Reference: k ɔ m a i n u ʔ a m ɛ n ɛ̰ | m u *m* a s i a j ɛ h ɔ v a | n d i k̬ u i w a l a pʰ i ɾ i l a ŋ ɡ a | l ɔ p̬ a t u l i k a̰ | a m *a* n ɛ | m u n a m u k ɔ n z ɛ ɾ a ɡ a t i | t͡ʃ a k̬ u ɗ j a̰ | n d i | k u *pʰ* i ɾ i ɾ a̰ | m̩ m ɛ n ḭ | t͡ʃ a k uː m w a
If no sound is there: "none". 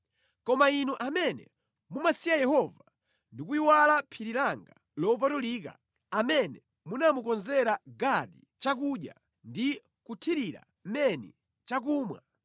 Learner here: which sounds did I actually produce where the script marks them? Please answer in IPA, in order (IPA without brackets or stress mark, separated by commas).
m, ɛ, tʰ